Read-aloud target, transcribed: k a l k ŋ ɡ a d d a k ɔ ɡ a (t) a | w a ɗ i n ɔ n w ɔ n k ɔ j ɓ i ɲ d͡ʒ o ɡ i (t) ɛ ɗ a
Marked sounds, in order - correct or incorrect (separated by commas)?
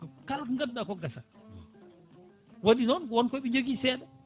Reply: incorrect, incorrect